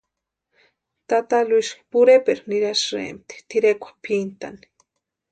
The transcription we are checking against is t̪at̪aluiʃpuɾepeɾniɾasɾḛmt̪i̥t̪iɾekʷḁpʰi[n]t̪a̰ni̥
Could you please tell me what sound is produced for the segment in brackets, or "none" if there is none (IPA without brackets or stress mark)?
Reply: n